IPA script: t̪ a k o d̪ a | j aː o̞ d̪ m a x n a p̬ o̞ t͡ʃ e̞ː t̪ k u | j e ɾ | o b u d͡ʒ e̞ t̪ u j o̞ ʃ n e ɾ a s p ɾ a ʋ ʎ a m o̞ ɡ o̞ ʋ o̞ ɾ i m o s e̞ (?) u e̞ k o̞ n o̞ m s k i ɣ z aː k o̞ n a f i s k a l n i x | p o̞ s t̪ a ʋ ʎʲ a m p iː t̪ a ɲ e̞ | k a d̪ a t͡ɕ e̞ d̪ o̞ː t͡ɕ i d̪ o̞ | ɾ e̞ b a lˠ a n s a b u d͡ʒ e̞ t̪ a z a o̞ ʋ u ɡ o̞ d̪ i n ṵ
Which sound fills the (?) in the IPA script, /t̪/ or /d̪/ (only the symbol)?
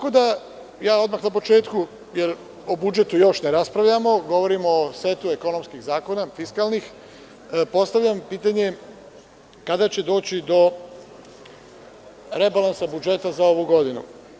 t̪